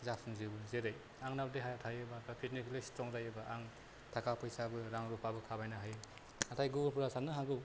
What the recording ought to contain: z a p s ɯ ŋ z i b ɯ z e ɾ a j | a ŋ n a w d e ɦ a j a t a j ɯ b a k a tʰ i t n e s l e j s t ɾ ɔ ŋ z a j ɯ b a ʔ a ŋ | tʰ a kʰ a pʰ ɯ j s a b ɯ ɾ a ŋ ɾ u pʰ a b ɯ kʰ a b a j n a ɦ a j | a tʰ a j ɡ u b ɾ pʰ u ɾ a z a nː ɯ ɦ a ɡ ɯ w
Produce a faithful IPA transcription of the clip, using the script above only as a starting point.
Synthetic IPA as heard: z a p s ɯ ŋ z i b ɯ z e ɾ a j | a ŋ n a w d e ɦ a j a tʰ a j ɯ b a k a pʰ i t n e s l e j s t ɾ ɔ ŋ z a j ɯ b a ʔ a ŋ | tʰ a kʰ a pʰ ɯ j s a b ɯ ɾ a ŋ ɾ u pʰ a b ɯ kʰ a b a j n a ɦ a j | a tʰ a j ɡ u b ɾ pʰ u ɾ a s a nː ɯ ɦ a ɡ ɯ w